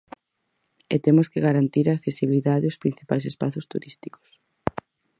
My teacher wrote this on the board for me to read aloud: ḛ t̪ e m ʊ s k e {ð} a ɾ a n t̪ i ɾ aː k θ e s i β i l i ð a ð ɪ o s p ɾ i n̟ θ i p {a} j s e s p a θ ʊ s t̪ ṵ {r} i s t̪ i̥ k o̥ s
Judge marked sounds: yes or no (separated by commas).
no, yes, no